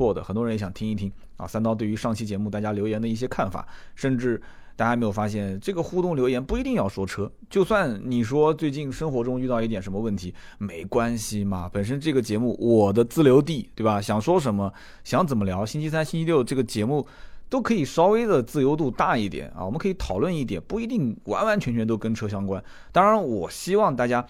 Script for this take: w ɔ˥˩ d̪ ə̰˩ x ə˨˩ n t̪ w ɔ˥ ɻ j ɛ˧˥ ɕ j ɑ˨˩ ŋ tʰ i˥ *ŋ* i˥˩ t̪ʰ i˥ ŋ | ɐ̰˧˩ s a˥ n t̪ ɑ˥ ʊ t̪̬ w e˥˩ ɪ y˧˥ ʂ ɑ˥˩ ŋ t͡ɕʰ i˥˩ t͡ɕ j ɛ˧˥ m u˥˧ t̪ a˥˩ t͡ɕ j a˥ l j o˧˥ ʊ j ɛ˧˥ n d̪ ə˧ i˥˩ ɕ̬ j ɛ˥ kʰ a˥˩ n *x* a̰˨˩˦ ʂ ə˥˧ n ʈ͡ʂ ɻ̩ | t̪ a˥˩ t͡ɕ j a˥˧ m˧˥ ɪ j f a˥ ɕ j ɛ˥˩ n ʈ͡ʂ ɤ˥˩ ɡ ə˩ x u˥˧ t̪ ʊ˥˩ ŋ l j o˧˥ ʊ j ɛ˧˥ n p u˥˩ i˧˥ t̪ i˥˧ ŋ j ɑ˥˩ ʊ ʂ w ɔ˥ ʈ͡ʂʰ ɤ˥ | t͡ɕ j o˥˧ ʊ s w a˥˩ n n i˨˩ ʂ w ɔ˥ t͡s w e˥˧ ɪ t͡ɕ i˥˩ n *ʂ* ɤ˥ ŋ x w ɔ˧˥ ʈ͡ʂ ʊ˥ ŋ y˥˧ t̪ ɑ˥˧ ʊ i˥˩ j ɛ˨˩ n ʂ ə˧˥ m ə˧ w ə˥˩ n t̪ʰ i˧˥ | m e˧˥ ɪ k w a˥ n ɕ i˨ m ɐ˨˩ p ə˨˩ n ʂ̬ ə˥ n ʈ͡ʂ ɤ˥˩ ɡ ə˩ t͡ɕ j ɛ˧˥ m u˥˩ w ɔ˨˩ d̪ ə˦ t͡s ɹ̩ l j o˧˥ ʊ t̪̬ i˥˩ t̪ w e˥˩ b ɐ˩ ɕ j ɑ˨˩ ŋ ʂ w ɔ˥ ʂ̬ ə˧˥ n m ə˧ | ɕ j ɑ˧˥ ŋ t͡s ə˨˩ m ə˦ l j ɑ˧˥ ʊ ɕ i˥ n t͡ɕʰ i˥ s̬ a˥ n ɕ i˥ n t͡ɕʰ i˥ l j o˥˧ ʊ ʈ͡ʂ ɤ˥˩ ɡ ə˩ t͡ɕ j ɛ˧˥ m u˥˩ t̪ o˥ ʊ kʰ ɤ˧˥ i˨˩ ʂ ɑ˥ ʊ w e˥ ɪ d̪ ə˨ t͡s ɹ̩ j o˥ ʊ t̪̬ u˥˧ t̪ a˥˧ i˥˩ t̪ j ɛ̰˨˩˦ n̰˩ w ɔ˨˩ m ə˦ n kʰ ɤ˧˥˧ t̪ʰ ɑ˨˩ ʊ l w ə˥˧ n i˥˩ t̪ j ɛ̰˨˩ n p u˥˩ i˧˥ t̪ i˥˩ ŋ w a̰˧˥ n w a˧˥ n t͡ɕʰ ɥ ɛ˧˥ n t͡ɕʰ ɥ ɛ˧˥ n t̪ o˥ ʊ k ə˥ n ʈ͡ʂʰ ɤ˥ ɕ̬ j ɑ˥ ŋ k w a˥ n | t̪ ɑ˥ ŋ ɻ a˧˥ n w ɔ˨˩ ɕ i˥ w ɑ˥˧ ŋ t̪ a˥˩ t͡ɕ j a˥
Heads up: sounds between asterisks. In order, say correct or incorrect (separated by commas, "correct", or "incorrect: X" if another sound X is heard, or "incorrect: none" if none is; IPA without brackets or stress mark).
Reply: correct, incorrect: f, correct